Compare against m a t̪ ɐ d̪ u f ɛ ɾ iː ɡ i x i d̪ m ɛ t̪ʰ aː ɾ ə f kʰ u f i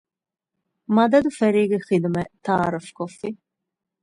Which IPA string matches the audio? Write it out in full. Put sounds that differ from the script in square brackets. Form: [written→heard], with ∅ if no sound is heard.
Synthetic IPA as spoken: m a [t̪→d̪] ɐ d̪ u f ɛ ɾ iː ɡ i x i d̪ m ɛ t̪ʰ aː ɾ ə f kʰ [u→ɔ] f i